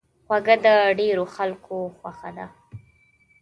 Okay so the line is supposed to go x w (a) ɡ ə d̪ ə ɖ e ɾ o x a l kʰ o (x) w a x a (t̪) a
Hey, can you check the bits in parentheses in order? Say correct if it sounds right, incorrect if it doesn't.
correct, correct, incorrect: d̪

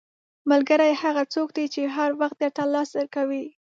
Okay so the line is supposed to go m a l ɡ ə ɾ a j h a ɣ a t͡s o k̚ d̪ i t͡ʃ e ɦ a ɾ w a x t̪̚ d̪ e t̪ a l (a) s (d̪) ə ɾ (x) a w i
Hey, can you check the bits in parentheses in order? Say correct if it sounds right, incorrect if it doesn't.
incorrect: ɑ, correct, incorrect: k

